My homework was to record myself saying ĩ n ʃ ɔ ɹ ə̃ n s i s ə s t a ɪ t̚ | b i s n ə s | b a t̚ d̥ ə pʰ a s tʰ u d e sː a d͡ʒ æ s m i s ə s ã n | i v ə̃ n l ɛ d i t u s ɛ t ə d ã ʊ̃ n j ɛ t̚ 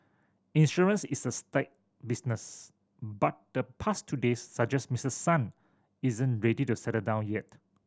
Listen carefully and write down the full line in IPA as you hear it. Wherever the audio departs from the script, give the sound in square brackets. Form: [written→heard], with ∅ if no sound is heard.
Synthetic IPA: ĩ n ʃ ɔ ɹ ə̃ n s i s ə s t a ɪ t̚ | b i s n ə s | b a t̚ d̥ ə pʰ a s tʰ u d e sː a d͡ʒ [æ→ɛ] s m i s ə s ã n | i [v→z] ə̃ n [l→ɹ] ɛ d i t u s ɛ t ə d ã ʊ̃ n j ɛ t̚